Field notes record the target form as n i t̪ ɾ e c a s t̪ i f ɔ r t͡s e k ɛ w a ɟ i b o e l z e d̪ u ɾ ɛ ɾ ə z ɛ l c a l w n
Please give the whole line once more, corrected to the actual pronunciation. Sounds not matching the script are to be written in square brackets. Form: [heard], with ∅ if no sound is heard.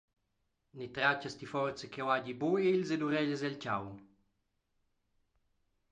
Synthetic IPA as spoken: n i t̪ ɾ [a] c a s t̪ i f ɔ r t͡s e k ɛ w a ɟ i b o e l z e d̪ u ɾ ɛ [ʎ] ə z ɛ l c a [∅] w n